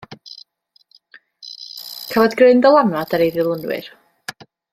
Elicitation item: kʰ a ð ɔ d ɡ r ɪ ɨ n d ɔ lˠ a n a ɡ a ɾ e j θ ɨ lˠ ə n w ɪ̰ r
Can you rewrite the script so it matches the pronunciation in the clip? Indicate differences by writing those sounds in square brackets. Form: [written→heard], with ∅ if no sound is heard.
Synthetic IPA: kʰ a [ð→v] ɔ d ɡ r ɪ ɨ n d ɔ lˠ a n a [ɡ→d] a ɾ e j [θ→ð] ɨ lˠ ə n w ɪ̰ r